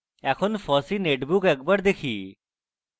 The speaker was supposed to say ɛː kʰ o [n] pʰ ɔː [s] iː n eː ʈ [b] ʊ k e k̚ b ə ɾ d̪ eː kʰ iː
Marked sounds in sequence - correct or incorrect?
correct, correct, correct

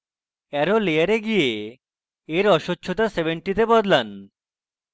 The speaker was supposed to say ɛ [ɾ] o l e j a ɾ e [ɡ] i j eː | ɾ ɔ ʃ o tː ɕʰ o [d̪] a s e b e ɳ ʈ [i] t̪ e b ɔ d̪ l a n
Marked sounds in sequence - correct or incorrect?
correct, correct, incorrect: t̪, correct

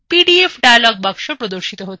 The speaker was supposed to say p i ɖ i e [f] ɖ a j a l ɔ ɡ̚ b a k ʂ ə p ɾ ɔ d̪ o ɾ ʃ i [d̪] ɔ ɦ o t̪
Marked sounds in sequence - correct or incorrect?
correct, incorrect: t̪

